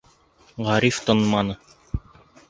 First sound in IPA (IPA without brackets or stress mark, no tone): ʁ